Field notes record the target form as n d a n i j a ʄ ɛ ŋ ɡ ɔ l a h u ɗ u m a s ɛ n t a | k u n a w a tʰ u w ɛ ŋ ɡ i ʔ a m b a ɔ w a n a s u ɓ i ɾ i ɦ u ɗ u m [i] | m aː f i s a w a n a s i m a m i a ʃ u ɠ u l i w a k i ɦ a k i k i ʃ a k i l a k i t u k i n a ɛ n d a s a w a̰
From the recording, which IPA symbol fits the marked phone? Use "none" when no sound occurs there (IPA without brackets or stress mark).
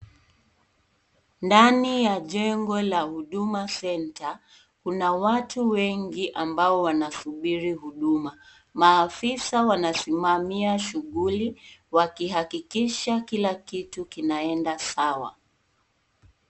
a